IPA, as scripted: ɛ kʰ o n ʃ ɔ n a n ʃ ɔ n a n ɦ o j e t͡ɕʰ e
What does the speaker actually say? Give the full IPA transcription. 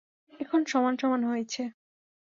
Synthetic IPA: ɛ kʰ o n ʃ ɔ m a n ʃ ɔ m a n ɦ o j e t͡ɕʰ e